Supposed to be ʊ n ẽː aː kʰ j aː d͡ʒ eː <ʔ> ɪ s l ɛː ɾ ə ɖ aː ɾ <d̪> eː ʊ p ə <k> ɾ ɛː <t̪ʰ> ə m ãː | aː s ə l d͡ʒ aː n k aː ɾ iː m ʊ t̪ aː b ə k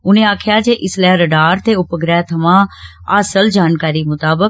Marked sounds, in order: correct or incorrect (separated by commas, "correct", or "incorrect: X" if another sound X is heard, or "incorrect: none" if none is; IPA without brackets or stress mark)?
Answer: correct, incorrect: t̪, incorrect: ɡ, correct